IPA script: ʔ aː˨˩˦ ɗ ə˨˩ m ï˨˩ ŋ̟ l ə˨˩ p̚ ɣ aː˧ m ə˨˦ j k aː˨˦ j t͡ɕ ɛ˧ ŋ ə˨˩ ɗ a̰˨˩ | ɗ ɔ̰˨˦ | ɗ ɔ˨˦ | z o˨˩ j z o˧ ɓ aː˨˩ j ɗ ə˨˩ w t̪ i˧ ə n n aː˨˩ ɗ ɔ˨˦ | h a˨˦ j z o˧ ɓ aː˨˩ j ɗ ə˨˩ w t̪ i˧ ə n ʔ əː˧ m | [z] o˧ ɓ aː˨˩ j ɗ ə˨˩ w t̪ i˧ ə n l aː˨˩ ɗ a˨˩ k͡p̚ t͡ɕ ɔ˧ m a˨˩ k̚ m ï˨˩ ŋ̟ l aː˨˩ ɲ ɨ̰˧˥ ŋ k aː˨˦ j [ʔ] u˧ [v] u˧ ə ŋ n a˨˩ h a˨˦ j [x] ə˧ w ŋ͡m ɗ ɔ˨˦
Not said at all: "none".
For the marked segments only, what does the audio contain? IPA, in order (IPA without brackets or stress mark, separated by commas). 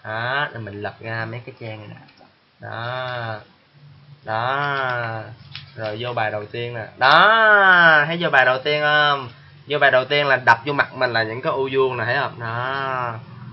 z, ʔ, z, h